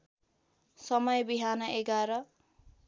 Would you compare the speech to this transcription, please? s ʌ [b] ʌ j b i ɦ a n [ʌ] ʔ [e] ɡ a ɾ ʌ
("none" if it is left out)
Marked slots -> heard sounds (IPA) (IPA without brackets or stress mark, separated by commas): m, ʌ, e